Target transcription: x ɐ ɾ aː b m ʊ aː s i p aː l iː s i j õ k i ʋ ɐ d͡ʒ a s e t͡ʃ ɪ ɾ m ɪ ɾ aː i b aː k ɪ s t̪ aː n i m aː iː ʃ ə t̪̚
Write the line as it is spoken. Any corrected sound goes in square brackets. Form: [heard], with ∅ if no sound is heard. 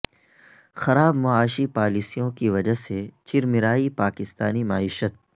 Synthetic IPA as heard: x ɐ ɾ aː b m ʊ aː [ʃ] i p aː l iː s i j õ k i ʋ ɐ d͡ʒ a s e t͡ʃ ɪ ɾ m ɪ ɾ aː i [p] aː k ɪ s t̪ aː n i m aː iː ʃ ə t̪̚